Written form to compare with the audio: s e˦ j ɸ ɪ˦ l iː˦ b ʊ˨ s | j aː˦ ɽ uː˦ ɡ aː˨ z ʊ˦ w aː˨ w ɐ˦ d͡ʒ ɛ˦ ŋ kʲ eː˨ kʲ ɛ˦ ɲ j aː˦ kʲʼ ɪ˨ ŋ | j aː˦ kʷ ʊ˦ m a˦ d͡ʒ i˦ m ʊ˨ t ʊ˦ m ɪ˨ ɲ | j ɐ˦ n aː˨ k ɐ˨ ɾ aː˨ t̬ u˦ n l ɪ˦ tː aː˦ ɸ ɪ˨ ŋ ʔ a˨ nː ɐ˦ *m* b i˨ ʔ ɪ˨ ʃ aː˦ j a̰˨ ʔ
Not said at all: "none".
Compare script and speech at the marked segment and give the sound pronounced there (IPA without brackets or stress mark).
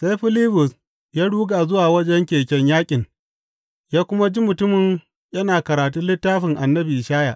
none